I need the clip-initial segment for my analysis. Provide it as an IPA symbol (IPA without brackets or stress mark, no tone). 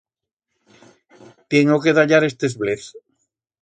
t̪